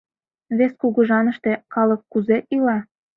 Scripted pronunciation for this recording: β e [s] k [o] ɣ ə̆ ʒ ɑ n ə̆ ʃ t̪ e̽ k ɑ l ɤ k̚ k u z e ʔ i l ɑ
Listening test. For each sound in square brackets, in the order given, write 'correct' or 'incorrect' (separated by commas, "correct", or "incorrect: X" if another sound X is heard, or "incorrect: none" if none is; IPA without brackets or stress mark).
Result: correct, incorrect: u